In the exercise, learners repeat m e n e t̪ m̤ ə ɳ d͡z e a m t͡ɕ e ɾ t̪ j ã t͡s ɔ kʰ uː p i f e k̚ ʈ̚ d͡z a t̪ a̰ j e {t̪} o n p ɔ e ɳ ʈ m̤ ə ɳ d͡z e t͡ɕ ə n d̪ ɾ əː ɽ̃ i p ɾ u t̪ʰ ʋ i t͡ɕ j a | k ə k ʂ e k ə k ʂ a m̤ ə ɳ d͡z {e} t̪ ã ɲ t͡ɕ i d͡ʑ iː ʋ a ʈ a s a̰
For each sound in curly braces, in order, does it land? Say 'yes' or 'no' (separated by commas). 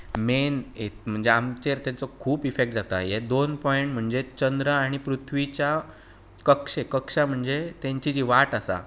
no, yes